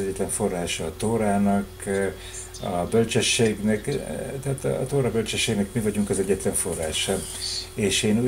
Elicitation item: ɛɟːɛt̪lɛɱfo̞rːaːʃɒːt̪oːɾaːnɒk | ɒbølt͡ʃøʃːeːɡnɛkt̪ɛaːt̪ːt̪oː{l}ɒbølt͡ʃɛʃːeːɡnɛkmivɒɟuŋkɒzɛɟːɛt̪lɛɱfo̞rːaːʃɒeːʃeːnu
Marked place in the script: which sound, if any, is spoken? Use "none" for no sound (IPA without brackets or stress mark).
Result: ɾ